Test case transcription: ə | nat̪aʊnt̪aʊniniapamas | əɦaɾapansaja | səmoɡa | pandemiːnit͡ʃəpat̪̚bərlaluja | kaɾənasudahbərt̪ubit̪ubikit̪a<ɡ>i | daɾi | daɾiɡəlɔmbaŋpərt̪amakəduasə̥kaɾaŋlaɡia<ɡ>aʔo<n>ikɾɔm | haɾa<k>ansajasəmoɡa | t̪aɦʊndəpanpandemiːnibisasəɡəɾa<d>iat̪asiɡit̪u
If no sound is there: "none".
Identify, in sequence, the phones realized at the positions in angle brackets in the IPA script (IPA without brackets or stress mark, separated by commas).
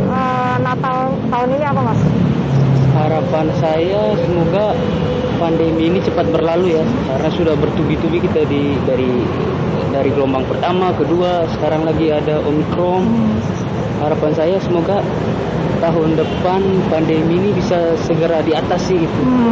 d, d, m, p, d